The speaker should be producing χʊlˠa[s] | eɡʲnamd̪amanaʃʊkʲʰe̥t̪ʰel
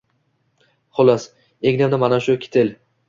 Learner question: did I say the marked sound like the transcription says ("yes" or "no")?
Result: yes